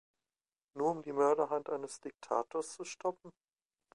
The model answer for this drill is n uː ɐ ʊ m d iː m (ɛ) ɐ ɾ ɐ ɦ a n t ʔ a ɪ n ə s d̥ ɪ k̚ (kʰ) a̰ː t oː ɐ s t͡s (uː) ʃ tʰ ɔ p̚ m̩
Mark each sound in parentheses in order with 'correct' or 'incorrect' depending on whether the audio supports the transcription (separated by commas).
incorrect, incorrect, incorrect